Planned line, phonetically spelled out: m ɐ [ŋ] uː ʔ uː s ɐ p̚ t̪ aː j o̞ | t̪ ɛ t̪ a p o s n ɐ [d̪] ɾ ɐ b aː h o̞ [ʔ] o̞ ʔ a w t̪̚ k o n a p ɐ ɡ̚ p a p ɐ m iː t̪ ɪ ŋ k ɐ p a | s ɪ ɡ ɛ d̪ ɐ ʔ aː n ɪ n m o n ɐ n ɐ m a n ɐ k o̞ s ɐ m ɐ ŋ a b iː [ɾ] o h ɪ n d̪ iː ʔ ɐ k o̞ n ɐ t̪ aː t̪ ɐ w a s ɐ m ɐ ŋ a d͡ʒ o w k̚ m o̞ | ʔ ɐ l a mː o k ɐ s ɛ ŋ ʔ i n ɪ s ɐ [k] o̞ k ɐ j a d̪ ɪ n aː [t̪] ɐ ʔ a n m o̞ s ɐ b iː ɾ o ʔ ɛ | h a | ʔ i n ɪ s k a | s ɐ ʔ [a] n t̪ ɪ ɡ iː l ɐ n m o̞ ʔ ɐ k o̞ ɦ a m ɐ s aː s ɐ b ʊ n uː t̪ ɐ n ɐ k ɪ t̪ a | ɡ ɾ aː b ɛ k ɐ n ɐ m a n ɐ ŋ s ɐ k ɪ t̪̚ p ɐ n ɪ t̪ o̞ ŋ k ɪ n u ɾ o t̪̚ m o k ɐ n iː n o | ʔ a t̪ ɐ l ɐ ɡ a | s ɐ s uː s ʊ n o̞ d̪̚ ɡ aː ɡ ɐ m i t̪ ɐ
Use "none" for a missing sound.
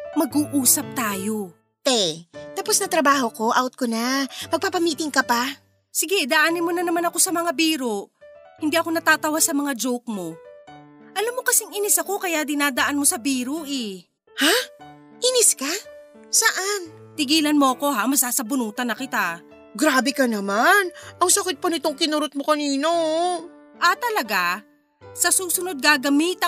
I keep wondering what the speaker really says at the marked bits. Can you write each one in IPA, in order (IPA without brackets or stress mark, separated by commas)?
ɡ, t̪, k, ɾ, k, d̪, a